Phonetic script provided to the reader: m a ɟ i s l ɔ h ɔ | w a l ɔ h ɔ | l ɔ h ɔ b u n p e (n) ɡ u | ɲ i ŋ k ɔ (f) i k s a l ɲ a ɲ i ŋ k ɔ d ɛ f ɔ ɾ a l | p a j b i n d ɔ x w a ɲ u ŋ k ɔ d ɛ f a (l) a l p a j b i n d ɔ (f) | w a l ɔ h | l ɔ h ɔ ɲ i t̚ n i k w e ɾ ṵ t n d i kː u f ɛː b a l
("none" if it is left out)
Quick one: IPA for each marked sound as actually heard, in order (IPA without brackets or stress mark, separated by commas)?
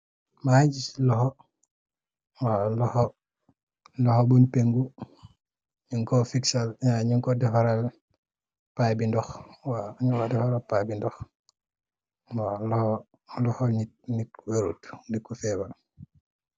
ŋ, f, ɾ, x